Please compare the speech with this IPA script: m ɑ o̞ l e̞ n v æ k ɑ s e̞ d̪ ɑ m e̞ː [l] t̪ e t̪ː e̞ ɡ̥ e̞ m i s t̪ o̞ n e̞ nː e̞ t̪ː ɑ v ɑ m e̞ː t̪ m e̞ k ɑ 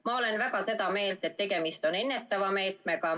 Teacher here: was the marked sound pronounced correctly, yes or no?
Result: yes